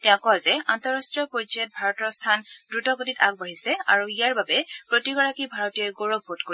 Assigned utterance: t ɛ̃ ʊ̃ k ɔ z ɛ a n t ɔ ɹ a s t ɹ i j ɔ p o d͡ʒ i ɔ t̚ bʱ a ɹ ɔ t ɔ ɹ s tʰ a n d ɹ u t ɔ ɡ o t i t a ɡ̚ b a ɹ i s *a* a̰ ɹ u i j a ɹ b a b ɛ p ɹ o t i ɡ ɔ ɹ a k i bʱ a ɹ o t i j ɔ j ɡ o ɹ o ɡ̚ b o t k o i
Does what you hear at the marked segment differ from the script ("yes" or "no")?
yes